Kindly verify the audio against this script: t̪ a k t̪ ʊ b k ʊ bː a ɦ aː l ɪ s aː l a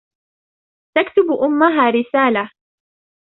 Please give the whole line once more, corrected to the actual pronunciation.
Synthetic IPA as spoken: t̪ a k t̪ ʊ b ʔ ʊ mː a ɦ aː ɾ ɪ s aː l a